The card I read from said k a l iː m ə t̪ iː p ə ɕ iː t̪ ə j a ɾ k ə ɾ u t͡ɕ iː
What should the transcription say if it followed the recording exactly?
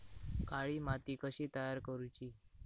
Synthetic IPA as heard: k a ɭ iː m a t̪ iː k ə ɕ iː t̪ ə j a ɾ k ə ɾ u t͡ɕ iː

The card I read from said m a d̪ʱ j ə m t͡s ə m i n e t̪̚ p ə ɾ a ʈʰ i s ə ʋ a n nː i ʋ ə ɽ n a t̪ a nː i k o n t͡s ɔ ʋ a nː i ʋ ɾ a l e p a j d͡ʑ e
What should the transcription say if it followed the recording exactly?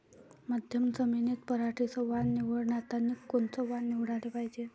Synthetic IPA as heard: m a d̪ʱ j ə m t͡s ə m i n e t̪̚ p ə ɾ a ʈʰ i s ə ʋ a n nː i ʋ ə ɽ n a t̪ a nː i k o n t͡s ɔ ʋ a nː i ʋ ɽ a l e p a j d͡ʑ e

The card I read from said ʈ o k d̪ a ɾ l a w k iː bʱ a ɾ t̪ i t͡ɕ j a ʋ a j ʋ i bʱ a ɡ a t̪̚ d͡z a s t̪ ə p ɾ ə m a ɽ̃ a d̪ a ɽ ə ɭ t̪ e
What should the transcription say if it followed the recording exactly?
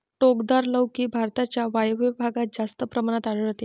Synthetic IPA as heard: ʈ o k d̪ a ɾ l ə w k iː bʱ a ɾ t̪ a t͡ɕ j a ʋ a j ʋ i bʱ a ɡ a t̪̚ d͡z a s t̪ ə p ɾ ə m a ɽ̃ a t̪ a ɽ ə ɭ t̪ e

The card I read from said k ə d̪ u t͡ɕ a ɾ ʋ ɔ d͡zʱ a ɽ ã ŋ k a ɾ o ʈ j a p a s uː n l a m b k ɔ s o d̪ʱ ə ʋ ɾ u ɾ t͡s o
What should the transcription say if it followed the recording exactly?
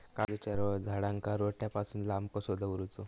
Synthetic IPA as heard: k a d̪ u t͡ɕ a ɾ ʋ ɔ d͡zʱ a ɽ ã ŋ k a ɾ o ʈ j a p a s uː n l a m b k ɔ s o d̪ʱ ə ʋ ɾ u t͡s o

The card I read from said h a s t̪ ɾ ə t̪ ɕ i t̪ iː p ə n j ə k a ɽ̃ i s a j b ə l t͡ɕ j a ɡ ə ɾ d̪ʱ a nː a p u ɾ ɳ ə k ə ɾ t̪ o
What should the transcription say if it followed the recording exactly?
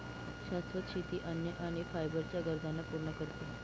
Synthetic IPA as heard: ɕ a s t̪ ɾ ə t̪ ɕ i t̪ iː ʔ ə n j ə ʔ a ɽ̃ i f a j b ə ɾ t͡ɕ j a ɡ ə ɾ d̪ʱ a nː a p u ɾ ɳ ə k ə ɾ t̪ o

